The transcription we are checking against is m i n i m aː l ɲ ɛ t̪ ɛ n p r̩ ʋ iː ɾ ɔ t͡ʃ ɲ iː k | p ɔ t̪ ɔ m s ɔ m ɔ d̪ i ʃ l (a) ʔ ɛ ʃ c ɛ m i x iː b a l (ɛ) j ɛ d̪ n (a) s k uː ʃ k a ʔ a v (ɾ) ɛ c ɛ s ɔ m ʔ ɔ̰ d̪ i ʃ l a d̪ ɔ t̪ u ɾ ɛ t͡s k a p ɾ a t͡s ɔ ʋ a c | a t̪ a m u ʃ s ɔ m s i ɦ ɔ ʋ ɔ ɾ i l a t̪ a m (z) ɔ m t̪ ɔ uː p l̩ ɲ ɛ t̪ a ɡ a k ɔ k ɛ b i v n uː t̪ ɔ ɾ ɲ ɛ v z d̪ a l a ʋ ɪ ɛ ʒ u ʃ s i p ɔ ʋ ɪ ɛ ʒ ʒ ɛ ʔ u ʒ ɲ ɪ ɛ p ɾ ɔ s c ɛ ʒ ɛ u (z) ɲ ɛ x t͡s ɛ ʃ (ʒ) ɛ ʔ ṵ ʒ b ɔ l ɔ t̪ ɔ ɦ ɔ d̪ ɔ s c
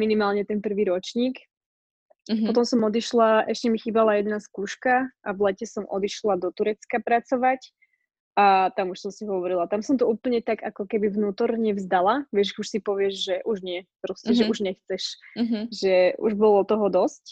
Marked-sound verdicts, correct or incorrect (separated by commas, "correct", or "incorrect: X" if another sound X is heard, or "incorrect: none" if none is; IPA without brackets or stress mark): correct, incorrect: a, correct, incorrect: l, incorrect: s, incorrect: ʒ, correct